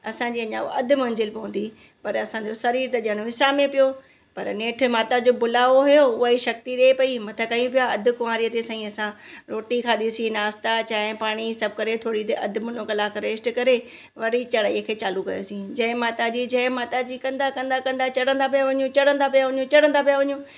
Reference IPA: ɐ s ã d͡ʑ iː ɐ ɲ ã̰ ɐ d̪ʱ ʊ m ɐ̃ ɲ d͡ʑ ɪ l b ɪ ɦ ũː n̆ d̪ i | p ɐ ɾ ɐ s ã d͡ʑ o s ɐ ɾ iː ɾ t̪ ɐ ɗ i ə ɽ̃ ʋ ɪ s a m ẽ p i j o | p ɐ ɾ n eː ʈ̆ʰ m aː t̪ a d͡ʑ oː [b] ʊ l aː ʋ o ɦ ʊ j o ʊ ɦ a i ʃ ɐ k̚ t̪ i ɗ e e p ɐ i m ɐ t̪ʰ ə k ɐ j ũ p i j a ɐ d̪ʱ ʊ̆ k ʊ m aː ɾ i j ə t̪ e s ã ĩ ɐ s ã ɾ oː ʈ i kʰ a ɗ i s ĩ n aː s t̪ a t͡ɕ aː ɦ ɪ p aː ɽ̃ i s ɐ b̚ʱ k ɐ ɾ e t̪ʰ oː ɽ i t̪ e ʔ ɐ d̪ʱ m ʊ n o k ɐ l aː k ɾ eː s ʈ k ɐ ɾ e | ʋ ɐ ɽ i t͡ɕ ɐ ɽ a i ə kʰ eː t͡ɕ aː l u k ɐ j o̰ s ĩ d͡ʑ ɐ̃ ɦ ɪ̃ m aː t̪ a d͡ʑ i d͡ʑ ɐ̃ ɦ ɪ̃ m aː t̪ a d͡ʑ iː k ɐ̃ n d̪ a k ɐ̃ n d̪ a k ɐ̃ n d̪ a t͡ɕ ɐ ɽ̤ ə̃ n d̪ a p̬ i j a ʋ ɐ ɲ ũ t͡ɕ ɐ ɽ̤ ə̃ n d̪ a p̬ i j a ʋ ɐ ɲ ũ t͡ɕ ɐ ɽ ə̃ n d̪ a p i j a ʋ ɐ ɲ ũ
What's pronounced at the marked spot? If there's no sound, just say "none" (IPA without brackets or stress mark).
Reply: b